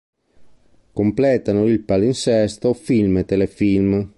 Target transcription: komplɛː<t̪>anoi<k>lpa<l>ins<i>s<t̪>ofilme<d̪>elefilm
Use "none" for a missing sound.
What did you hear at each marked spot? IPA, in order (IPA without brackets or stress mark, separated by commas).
t̪, none, l, ɛ, t̪, t̪